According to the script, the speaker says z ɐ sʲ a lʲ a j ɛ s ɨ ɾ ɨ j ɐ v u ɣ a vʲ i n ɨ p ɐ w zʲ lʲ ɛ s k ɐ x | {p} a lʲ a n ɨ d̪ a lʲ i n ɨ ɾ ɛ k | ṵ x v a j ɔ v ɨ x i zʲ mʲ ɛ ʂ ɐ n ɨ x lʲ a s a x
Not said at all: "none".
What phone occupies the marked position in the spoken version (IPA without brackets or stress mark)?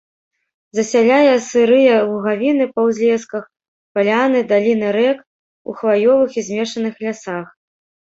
p